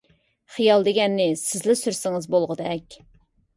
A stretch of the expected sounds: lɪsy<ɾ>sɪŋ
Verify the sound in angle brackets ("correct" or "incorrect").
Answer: correct